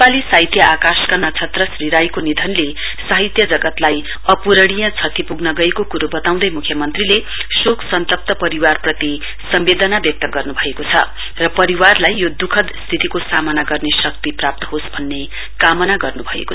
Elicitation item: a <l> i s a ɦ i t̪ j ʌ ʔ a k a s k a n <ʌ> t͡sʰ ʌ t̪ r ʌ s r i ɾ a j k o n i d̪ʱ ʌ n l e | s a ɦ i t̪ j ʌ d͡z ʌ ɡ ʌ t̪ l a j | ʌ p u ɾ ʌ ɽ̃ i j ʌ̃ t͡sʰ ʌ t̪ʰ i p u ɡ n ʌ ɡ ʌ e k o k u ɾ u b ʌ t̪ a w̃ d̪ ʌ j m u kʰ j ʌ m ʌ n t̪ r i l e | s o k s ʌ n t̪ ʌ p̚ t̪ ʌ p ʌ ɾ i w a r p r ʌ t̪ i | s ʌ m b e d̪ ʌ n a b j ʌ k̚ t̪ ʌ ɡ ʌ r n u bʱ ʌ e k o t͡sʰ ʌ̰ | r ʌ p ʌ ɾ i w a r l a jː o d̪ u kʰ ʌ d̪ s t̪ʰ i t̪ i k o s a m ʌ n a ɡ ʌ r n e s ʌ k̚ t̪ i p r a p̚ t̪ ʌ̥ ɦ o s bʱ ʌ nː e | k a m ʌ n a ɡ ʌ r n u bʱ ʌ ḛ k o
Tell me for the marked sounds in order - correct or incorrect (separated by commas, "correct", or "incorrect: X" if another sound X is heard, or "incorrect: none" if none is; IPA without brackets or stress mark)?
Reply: correct, correct